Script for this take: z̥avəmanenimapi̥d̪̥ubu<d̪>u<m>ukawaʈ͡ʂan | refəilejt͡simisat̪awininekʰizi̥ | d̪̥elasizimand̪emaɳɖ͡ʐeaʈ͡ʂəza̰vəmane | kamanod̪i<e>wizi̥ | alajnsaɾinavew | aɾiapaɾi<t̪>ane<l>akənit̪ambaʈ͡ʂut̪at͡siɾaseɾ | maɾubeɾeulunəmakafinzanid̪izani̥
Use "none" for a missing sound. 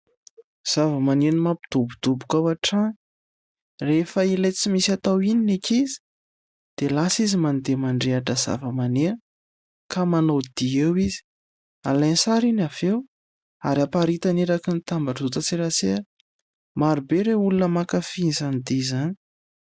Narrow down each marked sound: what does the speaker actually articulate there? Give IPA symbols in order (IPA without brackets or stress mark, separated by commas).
d̪, b, e, t̪, ɾ